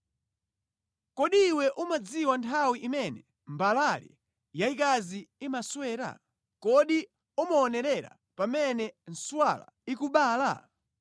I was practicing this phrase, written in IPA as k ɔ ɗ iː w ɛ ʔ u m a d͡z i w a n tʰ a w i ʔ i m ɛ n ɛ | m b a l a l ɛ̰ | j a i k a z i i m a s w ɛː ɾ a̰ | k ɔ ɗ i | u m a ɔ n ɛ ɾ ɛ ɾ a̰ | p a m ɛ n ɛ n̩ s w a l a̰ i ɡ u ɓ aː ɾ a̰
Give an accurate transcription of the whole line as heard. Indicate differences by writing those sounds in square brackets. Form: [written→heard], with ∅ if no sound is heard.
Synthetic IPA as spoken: k ɔ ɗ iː w ɛ ʔ u m a d͡z i w a n tʰ a w i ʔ i m ɛ n ɛ | m b a l a l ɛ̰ | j a i k a z i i m a s w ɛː ɾ a̰ | k ɔ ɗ i | u m a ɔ n ɛ ɾ ɛ ɾ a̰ | p a m ɛ n ɛ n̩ s w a l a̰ i [ɡ→k] u ɓ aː [ɾ→l] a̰